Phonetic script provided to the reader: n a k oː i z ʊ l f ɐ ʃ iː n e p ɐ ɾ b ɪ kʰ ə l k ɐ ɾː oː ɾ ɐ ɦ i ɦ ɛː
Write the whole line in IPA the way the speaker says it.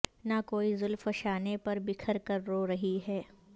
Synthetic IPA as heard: n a k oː i z ʊ l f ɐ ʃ aː n e p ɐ ɾ b ɪ kʰ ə ɾ k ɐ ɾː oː ɾ ɐ ɦ i ɦ ɛː